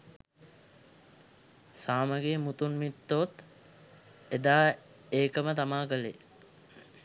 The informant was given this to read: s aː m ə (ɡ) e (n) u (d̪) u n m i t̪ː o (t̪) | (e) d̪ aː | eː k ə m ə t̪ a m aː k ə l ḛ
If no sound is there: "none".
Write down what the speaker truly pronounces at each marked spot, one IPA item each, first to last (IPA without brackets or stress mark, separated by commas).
ɡ, m, t̪, t̪, e